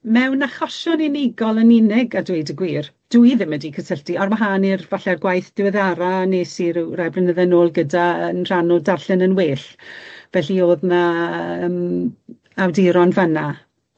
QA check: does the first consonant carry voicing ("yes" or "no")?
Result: yes